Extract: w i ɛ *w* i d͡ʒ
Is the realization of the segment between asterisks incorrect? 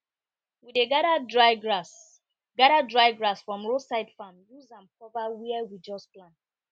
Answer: no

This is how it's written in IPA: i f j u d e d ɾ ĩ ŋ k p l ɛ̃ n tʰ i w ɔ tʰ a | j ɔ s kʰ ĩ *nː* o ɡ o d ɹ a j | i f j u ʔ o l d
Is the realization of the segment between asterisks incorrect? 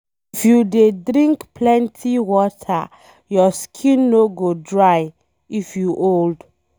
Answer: no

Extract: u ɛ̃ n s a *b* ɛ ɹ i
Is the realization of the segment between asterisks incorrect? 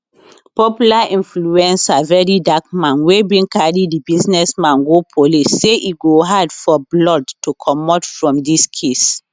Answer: yes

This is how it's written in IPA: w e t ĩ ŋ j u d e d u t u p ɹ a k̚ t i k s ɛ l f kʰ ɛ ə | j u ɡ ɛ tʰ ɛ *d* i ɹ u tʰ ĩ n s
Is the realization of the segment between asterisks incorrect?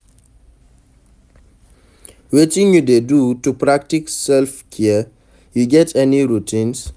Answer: yes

